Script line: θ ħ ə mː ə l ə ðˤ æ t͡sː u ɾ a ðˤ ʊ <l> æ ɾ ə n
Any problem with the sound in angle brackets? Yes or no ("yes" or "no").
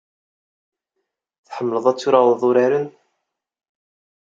yes